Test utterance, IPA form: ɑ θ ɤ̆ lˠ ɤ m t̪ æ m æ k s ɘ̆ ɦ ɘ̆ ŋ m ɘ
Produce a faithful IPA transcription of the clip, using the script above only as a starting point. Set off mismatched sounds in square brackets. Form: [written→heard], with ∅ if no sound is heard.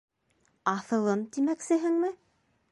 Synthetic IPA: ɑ θ ɤ̆ lˠ ɤ m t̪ [æ→i] m æ k s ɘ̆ ɦ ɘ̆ ŋ m ɘ